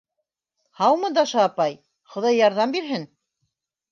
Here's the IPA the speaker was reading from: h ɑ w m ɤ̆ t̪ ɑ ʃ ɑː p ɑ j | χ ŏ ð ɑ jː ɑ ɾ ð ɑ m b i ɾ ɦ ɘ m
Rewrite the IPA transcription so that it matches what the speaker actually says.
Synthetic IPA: h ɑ w m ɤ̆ d̪ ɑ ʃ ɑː p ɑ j | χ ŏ ð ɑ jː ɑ ɾ ð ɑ m b i ɾ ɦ ɘ n